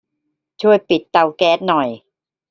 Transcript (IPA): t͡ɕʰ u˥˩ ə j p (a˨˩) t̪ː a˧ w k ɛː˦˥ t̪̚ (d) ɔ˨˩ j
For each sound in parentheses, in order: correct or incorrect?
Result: incorrect: i˨˩, incorrect: n

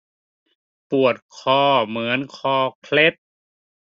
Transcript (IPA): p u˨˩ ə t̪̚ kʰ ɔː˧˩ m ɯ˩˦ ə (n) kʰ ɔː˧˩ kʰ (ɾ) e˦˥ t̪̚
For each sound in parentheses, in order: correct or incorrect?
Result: correct, incorrect: l

